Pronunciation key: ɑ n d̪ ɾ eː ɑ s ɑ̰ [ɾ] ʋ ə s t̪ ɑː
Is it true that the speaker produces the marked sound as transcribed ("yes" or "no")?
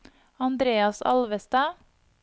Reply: no